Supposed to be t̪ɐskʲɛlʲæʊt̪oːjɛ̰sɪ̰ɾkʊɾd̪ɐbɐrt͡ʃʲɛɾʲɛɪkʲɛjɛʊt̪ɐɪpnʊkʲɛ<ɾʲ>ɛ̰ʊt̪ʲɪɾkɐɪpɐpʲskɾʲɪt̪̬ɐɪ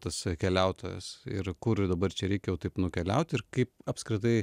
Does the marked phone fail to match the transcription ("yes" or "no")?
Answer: yes